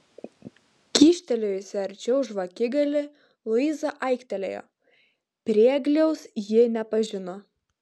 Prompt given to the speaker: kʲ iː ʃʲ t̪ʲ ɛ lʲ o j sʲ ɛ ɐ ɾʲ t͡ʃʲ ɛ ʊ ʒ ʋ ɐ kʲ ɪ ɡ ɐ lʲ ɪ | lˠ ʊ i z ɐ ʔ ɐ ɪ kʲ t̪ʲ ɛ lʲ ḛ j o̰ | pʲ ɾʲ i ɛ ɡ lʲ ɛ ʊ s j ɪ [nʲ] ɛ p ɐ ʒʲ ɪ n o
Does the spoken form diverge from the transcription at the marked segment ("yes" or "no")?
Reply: no